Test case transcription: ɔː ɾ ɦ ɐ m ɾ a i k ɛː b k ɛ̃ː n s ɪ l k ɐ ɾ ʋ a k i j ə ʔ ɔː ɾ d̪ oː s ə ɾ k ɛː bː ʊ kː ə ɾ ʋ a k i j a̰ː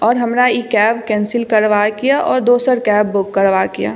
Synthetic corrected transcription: ɔː ɾ ɦ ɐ m ɾ a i k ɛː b k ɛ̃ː n s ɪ l k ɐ ɾ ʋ a k i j a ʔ ɔː ɾ d̪ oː s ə ɾ k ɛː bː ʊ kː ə ɾ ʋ a k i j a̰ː